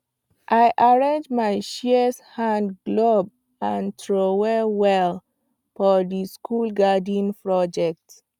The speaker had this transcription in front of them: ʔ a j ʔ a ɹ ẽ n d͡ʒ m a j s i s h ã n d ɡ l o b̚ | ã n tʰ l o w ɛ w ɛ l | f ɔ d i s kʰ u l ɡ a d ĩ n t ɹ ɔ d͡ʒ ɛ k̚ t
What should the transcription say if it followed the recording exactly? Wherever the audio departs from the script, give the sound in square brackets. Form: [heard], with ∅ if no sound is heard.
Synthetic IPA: ʔ a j ʔ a ɹ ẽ n d͡ʒ m a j [ʃ] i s h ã n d ɡ l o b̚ | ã n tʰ [ɹ] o w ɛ w ɛ l | f ɔ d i s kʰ u l ɡ a d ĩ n [p] ɹ ɔ d͡ʒ ɛ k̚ t